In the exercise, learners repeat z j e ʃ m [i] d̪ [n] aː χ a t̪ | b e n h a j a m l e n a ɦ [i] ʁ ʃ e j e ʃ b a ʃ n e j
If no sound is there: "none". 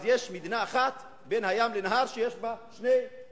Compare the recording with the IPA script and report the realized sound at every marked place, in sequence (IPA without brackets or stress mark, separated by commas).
i, n, a